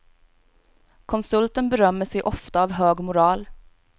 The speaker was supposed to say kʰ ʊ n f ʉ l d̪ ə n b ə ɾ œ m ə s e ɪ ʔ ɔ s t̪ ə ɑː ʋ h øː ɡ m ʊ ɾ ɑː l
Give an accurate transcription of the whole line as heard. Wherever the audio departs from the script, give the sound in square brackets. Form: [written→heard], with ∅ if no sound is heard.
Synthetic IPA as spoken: kʰ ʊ n [f→s] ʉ l [d̪→t̪] ə n b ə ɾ œ m ə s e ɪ ʔ ɔ [s→f] t̪ ə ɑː ʋ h øː ɡ m ʊ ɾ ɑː l